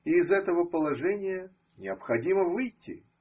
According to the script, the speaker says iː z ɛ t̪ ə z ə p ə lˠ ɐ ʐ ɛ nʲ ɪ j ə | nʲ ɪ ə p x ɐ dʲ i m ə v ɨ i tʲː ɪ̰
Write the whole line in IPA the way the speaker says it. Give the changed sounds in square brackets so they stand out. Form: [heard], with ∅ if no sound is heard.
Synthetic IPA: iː z ɛ t̪ ə [v] ə p ə lˠ ɐ ʐ ɛ nʲ ɪ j ə | nʲ ɪ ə p x ɐ dʲ i m ə v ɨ [j] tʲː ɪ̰